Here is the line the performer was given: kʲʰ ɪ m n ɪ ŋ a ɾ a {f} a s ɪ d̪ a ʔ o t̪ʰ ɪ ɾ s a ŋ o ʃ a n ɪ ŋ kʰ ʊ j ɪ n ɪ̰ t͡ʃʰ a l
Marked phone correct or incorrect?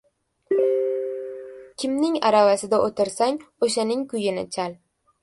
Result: incorrect: v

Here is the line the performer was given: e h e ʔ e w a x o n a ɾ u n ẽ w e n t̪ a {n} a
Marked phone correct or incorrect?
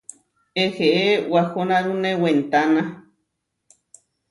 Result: correct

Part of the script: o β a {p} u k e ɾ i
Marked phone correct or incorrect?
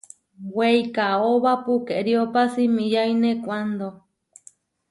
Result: correct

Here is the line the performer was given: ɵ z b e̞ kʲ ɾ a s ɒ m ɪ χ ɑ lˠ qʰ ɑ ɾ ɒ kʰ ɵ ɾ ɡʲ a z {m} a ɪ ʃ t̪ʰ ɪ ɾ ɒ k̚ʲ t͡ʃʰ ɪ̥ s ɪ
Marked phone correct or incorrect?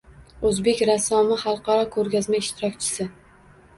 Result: correct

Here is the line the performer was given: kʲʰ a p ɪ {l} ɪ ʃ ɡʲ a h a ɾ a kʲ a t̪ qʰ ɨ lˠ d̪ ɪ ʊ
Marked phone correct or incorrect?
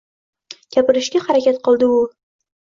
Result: incorrect: ɾ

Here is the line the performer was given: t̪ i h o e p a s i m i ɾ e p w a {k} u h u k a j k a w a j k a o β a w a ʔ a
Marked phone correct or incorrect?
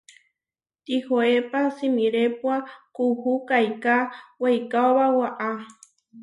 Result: correct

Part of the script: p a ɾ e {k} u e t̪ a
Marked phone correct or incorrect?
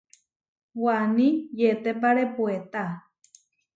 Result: incorrect: p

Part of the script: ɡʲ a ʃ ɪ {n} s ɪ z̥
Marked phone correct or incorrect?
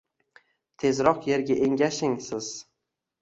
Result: incorrect: ŋ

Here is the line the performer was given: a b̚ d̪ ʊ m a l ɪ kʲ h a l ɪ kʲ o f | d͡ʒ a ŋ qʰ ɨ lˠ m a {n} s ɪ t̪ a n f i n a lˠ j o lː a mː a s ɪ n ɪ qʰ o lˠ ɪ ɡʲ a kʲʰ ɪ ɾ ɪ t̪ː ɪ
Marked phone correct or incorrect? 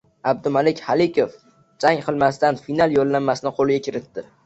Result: incorrect: none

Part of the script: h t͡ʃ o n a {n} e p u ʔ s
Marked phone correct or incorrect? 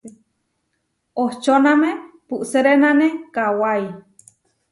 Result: incorrect: m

